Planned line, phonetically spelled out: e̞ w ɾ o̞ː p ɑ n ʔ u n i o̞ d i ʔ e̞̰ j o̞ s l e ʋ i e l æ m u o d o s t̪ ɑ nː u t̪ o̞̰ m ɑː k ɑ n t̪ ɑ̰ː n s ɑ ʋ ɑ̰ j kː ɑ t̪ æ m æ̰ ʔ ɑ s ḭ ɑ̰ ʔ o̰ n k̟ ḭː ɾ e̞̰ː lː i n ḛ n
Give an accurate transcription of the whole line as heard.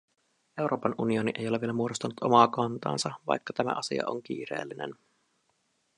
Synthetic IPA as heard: e̞ w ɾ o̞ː p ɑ n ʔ u n i o̞ n i ʔ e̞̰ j o̞ l e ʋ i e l æ m u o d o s t̪ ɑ n u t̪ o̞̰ m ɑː k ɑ n t̪ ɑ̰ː n s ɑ ʋ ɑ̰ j kː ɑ t̪ æ m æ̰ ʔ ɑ s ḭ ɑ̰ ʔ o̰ ŋ k̟ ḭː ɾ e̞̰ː lː i n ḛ n